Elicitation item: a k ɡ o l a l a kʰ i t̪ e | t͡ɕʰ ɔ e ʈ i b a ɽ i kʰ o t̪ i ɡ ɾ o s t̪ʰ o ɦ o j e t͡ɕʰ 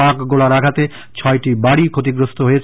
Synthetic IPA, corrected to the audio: a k ɡ o l a ɾ a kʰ a t̪ e | t͡ɕʰ ɔ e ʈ i b a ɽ i kʰ o t̪ i ɡ ɾ o s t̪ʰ o ɦ o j e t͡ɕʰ